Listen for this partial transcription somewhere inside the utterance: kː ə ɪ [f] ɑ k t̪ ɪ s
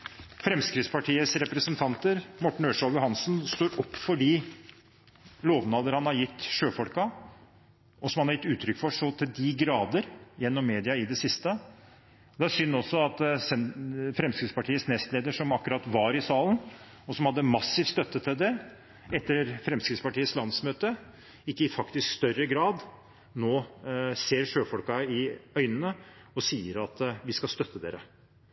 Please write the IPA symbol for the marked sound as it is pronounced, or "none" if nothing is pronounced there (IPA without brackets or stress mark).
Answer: f